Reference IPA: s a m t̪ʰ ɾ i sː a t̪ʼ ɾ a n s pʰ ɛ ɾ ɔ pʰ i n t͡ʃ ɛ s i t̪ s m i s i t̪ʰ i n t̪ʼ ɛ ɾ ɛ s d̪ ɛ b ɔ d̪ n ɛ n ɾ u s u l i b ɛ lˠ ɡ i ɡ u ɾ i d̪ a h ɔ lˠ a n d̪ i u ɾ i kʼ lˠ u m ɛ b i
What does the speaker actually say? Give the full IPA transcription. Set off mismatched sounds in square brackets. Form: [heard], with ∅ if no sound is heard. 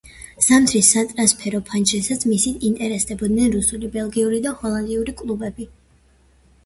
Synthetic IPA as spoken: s a m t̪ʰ ɾ i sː a t̪ʼ ɾ a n s pʰ ɛ ɾ ɔ pʰ [a] n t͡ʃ ɛ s [a] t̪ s m i s i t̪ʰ i n t̪ʼ ɛ ɾ ɛ s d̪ ɛ b ɔ d̪ n ɛ n ɾ u s u l i b ɛ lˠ ɡ i [∅] u ɾ i d̪ a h ɔ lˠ a n d̪ i u ɾ i kʼ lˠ u [b] ɛ b i